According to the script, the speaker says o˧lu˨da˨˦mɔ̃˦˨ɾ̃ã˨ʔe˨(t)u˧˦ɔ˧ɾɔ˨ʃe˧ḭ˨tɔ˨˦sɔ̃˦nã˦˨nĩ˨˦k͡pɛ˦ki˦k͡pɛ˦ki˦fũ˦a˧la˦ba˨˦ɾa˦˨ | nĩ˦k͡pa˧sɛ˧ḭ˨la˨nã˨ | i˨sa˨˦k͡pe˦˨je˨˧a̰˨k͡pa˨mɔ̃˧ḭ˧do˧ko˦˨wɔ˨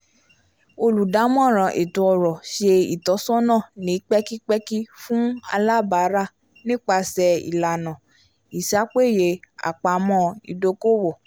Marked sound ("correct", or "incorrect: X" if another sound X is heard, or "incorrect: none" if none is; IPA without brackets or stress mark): correct